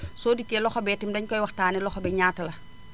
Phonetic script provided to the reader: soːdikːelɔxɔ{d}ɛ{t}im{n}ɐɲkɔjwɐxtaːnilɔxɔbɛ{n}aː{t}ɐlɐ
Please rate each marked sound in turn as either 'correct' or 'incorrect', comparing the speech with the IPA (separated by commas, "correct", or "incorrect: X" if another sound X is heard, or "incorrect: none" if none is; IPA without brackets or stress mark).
incorrect: b, correct, incorrect: d, incorrect: ɲ, correct